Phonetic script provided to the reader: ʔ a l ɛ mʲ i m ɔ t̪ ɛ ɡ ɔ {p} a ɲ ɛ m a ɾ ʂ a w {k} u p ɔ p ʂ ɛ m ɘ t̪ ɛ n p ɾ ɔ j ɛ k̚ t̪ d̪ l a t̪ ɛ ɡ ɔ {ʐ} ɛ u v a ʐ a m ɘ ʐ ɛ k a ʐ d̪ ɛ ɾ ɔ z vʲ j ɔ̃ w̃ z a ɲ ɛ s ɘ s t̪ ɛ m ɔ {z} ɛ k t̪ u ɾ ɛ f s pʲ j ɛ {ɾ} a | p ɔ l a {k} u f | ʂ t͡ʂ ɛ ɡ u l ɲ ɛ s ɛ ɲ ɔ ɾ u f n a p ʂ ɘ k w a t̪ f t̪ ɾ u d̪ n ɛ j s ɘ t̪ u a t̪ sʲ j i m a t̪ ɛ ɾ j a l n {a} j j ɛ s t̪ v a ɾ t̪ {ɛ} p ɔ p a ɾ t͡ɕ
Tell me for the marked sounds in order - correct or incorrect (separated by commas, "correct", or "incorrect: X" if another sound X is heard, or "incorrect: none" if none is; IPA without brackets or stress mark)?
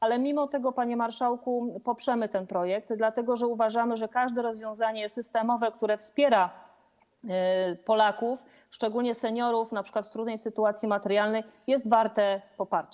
correct, correct, correct, incorrect: v, correct, correct, incorrect: ɛ, correct